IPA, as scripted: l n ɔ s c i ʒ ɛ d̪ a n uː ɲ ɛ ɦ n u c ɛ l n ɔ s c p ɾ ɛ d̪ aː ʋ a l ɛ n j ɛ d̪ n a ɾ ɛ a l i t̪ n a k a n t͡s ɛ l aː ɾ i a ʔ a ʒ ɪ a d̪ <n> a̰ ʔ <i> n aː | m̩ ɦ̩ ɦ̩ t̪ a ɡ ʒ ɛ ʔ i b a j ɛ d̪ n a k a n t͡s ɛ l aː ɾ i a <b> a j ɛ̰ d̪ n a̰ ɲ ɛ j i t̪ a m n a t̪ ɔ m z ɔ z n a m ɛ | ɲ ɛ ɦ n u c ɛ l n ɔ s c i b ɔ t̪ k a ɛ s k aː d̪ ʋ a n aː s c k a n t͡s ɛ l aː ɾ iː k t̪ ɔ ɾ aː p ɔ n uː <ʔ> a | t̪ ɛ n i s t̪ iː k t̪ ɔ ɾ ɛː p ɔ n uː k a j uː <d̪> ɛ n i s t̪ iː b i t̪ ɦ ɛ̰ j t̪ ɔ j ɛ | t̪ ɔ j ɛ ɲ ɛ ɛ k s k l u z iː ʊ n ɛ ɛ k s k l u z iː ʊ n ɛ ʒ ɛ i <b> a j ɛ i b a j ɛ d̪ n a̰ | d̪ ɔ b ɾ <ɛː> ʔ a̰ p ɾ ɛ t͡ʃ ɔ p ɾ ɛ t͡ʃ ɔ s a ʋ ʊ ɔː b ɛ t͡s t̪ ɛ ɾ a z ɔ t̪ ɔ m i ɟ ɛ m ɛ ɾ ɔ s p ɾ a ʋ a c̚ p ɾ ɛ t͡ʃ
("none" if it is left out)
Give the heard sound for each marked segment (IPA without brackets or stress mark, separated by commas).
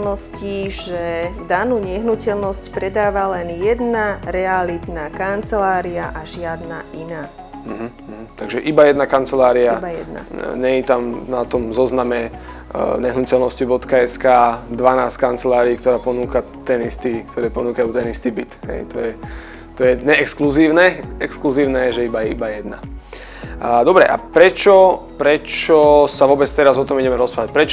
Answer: n, i, b, k, t̪, b, ɛ